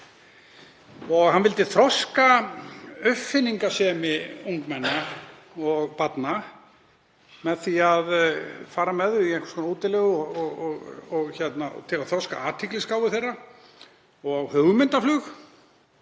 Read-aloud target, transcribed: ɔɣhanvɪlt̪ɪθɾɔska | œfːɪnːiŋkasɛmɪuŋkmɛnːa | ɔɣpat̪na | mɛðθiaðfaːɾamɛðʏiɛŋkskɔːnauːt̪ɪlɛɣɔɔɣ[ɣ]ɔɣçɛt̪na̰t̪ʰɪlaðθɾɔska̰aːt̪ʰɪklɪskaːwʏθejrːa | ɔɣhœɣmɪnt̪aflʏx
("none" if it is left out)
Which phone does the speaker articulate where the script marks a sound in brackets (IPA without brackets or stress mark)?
ɣ